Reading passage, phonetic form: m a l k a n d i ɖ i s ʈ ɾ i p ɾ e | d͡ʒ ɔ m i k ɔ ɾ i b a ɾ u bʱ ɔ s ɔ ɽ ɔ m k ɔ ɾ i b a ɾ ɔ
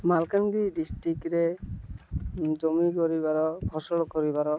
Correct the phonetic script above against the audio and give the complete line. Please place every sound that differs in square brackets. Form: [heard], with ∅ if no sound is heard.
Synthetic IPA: m a l k a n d i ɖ i s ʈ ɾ i [k] ɾ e | d͡ʒ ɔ m i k ɔ ɾ i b a ɾ [ɔ] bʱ ɔ s ɔ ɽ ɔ [∅] k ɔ ɾ i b a ɾ ɔ